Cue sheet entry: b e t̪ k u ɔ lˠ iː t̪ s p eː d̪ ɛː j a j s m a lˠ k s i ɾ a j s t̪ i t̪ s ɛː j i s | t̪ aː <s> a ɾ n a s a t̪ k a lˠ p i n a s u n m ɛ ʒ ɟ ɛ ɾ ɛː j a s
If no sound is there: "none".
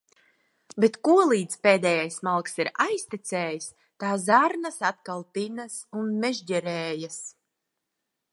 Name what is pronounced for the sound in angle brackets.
z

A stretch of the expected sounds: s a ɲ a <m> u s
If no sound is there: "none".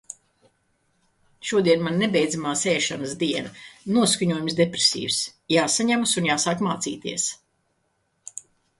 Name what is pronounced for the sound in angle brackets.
m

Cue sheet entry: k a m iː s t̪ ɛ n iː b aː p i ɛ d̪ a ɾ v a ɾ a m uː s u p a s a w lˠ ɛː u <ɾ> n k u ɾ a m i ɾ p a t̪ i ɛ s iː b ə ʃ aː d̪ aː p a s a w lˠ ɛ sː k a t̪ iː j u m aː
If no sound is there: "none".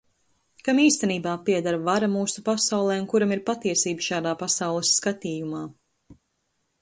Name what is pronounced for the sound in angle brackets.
none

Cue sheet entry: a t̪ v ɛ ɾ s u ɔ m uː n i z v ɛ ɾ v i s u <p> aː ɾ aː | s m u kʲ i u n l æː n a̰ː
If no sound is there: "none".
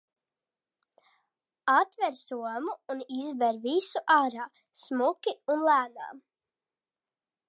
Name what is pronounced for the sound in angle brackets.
ʔ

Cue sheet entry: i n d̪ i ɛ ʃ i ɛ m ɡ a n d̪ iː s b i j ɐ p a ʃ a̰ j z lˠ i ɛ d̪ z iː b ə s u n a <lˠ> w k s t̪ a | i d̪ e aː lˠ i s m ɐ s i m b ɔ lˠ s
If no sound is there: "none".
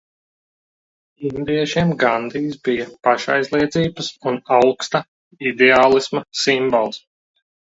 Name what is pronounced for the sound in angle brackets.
none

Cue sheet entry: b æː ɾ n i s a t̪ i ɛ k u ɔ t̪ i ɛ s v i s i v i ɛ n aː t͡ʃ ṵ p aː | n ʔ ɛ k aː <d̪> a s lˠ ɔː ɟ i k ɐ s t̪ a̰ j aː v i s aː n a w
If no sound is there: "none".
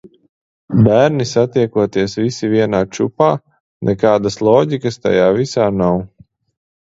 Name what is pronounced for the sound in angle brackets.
d̪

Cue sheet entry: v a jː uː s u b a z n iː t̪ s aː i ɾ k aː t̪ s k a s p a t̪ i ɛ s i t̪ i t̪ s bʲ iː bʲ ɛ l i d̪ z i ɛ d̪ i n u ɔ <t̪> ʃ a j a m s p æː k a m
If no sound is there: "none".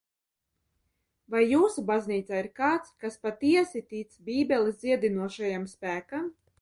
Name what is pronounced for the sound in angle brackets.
none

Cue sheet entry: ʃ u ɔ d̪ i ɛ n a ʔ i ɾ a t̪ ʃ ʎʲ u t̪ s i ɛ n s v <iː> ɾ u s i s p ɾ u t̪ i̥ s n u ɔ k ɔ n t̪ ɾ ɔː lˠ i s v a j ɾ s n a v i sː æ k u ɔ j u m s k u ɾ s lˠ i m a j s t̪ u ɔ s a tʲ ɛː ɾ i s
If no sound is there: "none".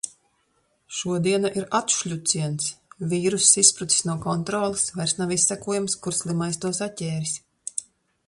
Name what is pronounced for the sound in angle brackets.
iː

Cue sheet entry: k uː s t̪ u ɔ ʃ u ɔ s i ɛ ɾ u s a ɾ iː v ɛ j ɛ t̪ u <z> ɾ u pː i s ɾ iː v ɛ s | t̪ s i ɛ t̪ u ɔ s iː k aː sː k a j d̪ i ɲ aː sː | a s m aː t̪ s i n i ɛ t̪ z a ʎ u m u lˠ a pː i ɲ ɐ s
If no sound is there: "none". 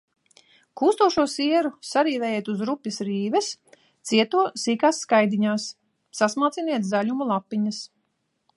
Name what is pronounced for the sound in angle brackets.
z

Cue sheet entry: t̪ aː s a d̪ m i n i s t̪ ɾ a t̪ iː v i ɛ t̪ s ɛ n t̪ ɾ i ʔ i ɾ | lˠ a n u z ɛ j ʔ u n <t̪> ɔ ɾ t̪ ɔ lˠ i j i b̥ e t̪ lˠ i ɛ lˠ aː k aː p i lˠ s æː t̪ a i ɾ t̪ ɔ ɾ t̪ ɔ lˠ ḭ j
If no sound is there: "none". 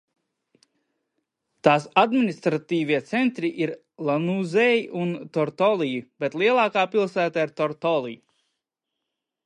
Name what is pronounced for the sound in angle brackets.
t̪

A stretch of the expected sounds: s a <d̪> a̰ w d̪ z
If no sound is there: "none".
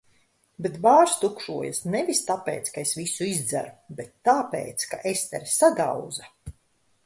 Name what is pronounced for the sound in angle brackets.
d̪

